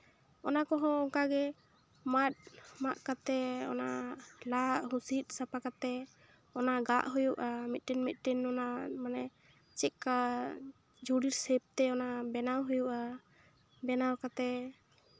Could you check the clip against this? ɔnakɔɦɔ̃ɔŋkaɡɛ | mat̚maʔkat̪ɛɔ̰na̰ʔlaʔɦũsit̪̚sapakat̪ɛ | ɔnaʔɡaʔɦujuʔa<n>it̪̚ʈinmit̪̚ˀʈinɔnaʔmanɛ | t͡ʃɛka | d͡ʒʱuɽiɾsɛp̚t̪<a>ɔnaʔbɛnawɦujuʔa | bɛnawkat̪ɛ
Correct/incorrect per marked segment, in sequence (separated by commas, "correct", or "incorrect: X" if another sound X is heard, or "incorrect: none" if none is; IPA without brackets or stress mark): incorrect: m, incorrect: ɛ